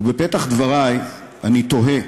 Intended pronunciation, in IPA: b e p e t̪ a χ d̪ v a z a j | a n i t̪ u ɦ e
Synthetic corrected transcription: b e p e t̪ a χ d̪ v a ʁ a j | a n i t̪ o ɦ e